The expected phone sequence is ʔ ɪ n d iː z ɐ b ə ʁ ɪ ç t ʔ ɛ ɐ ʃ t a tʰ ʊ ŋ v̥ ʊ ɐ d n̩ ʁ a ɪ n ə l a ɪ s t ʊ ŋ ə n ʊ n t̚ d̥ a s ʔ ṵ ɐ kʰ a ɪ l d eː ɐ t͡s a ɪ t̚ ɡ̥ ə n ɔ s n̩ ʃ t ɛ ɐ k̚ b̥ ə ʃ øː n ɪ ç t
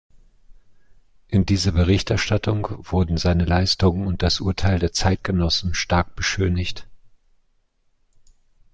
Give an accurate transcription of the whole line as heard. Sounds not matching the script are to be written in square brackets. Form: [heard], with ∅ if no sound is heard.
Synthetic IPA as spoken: ʔ ɪ n d iː z ɐ b ə ʁ ɪ ç t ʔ ɛ ɐ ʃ t a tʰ ʊ ŋ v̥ ʊ ɐ d n̩ [z] a ɪ n ə l a ɪ s t ʊ ŋ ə n ʊ n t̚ d̥ a s ʔ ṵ ɐ [tʰ] a ɪ l d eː ɐ t͡s a ɪ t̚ ɡ̥ ə n ɔ s n̩ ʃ t [a] ɐ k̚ b̥ ə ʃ øː n ɪ ç t